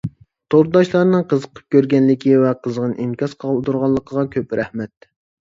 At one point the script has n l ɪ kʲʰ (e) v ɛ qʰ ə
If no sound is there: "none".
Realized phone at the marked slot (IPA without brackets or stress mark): i